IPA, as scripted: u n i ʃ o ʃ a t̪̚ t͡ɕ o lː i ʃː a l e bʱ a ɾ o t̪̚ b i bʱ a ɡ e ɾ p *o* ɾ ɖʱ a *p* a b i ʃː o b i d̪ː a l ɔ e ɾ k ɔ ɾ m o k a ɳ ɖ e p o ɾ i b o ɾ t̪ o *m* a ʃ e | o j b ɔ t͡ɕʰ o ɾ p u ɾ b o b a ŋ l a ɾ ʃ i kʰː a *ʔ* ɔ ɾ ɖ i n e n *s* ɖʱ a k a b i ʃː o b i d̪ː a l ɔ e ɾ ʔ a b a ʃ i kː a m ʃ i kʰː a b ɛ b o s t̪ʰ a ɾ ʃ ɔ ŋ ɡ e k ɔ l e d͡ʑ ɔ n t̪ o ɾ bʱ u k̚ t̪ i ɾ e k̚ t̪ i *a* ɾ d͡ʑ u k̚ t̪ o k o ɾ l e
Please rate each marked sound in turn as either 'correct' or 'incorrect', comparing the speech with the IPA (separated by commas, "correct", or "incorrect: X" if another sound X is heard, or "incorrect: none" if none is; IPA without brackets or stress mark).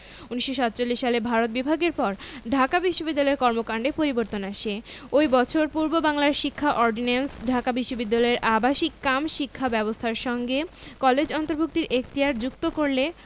incorrect: ɔ, incorrect: k, incorrect: n, correct, correct, correct